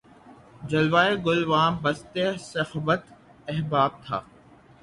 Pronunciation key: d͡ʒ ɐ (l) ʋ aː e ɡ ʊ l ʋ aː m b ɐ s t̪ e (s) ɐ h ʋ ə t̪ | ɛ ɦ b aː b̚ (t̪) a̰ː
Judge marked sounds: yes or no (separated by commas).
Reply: yes, yes, no